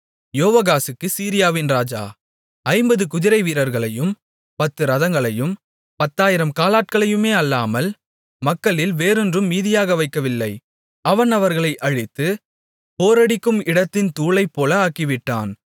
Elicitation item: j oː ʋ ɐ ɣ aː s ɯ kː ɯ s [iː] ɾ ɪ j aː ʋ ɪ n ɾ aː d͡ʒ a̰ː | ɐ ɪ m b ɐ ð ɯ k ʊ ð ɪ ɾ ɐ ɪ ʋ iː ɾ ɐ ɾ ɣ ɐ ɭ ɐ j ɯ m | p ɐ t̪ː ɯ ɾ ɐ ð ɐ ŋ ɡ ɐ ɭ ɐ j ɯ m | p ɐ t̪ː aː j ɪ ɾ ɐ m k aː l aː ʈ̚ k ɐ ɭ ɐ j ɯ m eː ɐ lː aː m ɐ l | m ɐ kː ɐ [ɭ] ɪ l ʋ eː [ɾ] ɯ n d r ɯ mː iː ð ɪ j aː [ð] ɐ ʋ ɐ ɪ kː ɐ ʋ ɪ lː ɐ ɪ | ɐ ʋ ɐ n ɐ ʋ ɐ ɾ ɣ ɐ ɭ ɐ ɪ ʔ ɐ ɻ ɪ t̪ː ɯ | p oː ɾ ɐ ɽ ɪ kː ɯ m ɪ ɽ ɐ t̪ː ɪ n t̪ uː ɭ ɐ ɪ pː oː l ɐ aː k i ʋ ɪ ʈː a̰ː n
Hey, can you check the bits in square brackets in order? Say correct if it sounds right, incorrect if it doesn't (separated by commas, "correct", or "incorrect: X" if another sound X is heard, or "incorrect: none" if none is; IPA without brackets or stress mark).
correct, correct, correct, incorrect: ɣ